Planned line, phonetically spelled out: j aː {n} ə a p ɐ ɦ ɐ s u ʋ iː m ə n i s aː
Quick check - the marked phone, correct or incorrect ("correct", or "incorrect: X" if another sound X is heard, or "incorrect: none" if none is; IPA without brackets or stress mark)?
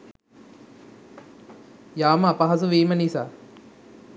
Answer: incorrect: m